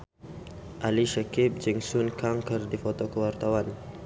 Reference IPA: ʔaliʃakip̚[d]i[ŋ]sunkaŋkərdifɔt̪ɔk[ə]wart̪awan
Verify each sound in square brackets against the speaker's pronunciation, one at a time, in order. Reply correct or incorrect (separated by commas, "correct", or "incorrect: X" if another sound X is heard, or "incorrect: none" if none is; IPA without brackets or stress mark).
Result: incorrect: d͡ʒ, correct, correct